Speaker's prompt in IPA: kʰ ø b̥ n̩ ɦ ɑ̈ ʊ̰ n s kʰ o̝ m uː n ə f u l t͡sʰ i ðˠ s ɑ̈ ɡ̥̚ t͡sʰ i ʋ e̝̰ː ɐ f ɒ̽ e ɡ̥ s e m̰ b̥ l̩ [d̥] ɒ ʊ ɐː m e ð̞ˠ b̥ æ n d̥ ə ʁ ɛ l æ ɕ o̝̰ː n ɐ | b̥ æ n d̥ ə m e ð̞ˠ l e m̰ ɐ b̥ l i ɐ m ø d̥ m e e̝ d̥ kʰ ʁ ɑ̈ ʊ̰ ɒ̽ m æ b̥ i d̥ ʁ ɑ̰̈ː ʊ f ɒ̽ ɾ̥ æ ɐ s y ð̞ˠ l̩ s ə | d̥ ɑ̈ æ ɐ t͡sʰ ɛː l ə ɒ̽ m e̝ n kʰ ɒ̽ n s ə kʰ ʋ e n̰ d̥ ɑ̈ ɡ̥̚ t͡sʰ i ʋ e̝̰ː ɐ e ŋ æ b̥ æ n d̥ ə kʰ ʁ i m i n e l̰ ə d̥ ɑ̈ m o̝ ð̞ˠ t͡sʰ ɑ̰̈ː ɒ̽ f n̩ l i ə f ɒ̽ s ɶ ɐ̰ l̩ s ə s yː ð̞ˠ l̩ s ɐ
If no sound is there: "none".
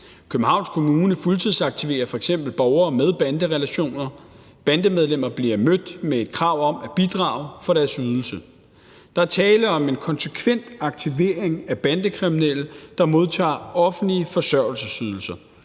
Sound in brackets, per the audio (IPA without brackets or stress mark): b̥